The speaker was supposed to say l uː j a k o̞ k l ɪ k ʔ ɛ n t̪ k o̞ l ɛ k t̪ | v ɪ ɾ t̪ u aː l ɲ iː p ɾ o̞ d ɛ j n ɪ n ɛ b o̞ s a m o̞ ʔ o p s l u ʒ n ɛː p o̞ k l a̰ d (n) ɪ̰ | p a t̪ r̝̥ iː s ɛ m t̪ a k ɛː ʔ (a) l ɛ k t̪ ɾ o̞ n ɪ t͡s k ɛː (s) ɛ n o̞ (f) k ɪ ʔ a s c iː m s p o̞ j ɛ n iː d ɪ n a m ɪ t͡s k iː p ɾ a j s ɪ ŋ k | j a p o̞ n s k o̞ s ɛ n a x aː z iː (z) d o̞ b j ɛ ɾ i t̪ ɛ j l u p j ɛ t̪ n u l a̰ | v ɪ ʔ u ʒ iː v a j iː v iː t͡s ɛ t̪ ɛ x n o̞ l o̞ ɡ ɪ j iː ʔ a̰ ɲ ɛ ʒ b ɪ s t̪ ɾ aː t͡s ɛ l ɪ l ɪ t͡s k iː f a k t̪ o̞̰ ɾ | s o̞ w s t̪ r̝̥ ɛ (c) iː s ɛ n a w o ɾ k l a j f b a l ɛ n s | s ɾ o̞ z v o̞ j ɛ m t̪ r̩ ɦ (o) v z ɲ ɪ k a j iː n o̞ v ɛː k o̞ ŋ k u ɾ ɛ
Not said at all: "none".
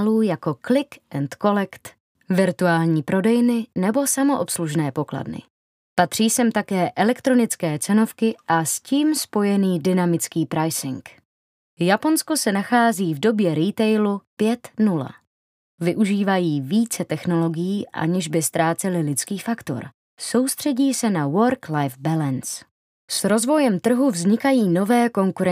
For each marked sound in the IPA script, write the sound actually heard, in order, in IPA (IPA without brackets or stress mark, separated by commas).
n, ɛ, t͡s, f, v, ɟ, u